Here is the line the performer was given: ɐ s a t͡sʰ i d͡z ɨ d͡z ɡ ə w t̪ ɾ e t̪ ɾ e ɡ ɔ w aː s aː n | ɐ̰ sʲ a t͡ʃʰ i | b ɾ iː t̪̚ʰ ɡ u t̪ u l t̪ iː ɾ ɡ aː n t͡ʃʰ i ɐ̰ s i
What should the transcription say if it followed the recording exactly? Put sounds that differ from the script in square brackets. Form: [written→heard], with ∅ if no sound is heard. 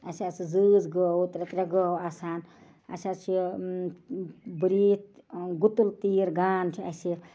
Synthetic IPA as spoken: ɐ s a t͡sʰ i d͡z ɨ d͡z ɡ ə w t̪ ɾ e t̪ ɾ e ɡ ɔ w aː s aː n | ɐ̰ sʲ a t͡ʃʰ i | b ɾ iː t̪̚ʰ ɡ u t̪ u l t̪ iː ɾ ɡ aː n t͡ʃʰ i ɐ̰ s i

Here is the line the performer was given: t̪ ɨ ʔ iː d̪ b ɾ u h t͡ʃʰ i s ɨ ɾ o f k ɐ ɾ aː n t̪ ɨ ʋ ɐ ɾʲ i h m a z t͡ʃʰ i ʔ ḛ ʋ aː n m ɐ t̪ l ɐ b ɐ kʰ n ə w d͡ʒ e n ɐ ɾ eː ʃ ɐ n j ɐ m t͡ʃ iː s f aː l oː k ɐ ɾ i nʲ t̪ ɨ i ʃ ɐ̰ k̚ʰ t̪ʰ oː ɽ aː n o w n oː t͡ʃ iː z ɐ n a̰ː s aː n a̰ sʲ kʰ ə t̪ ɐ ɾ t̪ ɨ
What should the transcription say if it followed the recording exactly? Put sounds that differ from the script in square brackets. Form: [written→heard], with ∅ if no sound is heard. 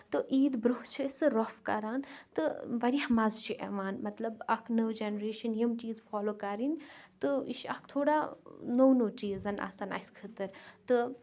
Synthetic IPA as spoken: t̪ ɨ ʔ iː d̪ b ɾ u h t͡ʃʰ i s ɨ ɾ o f k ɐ ɾ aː n t̪ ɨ ʋ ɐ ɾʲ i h m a z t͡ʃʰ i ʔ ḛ ʋ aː n m ɐ t̪ l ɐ b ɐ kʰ n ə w d͡ʒ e n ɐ ɾ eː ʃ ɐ n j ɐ m t͡ʃ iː [s→z] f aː l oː k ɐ ɾ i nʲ t̪ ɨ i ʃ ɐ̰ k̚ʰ t̪ʰ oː ɽ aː n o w n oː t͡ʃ iː z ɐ n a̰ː s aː n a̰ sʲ kʰ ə t̪ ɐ ɾ t̪ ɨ

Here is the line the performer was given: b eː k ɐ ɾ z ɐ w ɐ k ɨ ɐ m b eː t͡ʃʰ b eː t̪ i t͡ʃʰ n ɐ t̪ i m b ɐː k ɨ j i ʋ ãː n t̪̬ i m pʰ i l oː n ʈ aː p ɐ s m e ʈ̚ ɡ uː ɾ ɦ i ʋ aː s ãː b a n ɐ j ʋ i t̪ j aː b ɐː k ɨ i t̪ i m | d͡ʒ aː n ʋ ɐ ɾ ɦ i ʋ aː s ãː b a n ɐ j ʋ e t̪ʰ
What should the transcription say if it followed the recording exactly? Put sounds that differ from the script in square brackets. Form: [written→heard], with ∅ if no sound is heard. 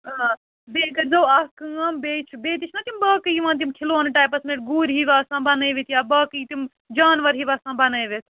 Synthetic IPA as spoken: b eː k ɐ ɾ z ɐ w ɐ k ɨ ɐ m b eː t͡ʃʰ b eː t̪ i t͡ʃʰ n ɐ t̪ i m b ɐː k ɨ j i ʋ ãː n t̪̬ i m [pʰ→kʰ] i l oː n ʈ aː p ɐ s m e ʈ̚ ɡ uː ɾ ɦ i ʋ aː s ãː b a n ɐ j ʋ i t̪ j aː b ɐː k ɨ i t̪ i m | d͡ʒ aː n ʋ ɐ ɾ ɦ i ʋ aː s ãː b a n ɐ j ʋ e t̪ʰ

